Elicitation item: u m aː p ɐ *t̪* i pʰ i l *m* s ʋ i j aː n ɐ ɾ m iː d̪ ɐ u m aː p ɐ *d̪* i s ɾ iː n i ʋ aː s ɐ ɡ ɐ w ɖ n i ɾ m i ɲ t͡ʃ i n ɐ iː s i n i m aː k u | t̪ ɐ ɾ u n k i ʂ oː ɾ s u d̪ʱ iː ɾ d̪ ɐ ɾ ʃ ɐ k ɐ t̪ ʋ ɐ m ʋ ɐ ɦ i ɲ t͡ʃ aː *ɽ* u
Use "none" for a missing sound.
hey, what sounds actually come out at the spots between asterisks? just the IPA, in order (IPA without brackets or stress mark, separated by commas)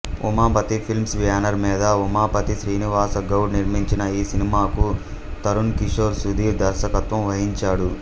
t̪, m, t̪, ɽ